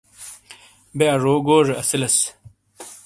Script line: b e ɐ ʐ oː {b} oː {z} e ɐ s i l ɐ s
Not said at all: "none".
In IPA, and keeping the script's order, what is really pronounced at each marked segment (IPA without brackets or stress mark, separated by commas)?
ɡ, ʐ